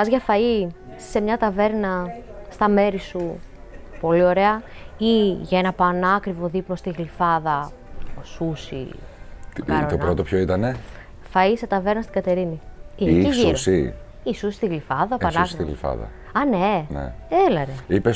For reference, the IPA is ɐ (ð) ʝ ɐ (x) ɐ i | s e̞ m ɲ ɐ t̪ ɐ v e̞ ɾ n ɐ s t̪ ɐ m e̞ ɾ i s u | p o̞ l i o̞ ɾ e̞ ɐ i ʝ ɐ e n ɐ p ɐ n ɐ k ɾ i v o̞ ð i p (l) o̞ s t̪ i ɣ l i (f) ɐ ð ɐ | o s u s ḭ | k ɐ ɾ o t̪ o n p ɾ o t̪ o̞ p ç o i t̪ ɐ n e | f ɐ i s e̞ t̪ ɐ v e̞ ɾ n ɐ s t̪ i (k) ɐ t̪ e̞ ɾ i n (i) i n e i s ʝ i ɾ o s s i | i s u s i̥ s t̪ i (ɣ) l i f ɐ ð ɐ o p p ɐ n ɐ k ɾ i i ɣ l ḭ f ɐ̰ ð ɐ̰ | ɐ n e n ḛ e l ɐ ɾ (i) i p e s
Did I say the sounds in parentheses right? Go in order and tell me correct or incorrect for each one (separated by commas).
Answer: incorrect, incorrect, correct, correct, incorrect, correct, correct, incorrect